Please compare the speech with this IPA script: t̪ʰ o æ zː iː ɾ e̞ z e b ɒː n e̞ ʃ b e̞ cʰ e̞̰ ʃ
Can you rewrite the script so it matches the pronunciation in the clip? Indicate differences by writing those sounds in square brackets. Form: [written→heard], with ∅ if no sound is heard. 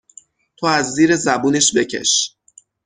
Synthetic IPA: t̪ʰ o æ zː iː ɾ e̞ z [e→æ] b [ɒː→uː] n e̞ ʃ b e̞ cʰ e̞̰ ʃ